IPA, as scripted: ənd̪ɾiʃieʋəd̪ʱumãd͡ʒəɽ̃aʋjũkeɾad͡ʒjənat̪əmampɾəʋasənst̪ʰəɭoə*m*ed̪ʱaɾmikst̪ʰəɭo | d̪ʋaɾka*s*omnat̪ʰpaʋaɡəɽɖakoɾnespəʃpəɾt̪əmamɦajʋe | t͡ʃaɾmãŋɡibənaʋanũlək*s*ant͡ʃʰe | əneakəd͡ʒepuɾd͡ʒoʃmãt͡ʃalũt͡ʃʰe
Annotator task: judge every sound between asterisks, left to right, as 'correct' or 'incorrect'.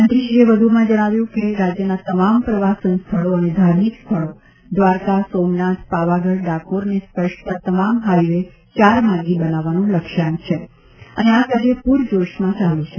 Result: incorrect, correct, incorrect

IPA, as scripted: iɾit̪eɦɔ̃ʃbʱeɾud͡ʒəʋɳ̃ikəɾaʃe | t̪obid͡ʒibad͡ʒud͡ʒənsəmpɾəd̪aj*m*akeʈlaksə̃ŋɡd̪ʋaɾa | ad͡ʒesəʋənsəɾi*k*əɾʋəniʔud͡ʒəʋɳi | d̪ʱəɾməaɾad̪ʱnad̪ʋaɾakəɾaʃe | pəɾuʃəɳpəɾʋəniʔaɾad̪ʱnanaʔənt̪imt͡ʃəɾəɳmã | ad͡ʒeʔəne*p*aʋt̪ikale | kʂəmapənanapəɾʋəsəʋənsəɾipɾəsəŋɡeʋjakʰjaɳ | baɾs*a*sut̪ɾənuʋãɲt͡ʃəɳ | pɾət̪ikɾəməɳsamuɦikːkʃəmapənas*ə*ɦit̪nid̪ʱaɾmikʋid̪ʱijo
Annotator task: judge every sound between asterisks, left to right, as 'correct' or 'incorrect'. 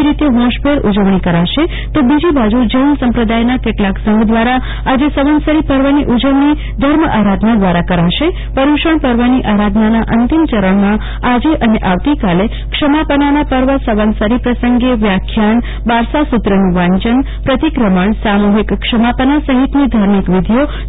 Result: incorrect, incorrect, incorrect, correct, correct

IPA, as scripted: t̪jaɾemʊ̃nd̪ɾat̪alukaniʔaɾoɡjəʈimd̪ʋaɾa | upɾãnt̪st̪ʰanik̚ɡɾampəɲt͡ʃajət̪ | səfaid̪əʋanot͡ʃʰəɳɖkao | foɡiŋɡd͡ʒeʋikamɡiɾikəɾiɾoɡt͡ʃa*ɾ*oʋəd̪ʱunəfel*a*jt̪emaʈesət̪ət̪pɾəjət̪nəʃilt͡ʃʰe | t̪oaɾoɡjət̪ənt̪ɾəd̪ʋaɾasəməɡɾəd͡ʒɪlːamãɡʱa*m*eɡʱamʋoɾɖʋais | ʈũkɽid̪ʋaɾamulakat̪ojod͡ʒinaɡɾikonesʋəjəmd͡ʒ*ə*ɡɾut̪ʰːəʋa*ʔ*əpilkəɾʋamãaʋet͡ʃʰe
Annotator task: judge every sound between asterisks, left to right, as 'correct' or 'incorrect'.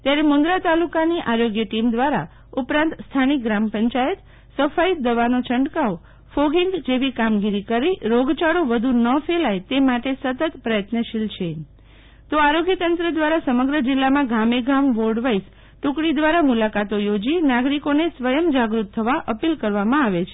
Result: incorrect, correct, correct, incorrect, correct

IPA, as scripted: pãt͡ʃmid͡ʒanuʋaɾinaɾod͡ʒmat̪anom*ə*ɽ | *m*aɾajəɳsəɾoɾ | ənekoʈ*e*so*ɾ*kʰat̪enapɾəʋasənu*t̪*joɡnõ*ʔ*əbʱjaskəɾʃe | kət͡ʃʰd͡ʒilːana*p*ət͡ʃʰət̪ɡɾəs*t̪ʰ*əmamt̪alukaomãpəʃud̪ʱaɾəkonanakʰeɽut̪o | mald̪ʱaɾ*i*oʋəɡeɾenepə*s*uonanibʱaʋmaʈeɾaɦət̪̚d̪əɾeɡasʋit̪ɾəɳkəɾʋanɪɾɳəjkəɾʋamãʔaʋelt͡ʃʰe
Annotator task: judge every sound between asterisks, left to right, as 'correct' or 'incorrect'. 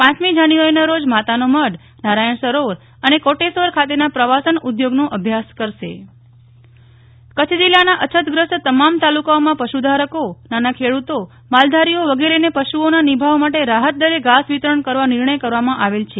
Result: correct, incorrect, correct, correct, incorrect, correct, incorrect, incorrect, correct, incorrect

